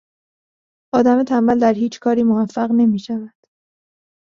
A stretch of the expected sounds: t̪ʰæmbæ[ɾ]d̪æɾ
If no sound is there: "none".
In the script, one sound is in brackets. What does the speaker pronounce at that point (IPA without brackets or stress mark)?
l